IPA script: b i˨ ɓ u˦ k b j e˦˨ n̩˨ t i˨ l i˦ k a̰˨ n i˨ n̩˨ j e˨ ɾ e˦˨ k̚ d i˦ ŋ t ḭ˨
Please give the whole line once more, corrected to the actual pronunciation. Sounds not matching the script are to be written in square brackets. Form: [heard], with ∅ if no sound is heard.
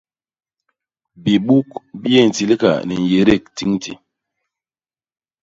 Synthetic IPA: b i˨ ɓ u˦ k b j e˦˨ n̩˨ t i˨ l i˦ k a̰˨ n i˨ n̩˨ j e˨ ɾ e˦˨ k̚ [t] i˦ ŋ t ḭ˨